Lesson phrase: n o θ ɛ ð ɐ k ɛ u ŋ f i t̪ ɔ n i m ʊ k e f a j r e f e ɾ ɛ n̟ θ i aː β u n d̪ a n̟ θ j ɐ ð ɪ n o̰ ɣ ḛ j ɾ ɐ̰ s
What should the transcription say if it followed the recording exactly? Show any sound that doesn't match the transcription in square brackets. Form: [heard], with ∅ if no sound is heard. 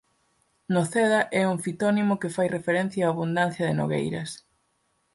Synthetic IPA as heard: n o θ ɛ ð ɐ [ʔ] ɛ u ŋ f i t̪ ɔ n i m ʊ k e f a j r e f e ɾ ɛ n̟ θ [j] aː β u n d̪ a n̟ θ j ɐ ð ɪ n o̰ ɣ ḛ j ɾ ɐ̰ s